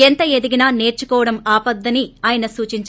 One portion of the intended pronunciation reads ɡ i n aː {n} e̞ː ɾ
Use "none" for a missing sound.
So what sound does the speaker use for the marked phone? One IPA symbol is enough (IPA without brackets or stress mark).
n